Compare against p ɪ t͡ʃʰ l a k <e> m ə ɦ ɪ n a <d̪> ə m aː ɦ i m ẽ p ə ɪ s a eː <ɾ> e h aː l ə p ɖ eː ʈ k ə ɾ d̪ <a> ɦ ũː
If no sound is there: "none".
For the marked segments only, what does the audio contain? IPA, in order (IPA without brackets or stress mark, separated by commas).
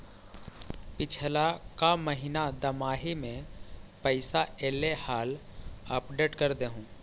a, d̪, l, e